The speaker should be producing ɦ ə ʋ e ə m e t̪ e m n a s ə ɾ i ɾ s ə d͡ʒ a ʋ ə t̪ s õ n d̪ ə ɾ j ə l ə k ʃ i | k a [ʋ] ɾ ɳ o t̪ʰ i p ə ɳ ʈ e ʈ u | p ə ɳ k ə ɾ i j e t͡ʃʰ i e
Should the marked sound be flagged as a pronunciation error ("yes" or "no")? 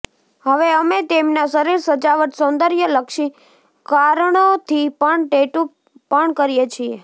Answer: yes